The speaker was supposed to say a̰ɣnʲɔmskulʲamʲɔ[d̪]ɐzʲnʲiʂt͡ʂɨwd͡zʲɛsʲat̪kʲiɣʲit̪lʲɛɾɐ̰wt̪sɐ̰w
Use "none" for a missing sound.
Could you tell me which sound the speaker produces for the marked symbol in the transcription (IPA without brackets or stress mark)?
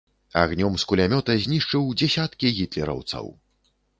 t̪